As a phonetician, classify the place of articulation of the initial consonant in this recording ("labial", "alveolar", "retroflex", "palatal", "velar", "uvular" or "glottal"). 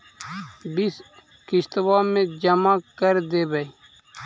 labial